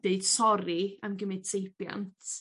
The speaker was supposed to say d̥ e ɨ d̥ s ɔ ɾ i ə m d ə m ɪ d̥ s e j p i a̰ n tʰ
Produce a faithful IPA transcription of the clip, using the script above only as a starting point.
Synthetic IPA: d̥ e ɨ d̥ s ɔ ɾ i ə m ɡ ə m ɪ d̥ s e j p j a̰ n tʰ